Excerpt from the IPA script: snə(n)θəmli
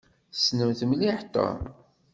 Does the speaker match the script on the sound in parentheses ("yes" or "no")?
no